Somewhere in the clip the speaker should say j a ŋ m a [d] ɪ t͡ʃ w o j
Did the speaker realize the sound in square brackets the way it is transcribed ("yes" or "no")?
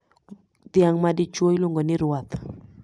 yes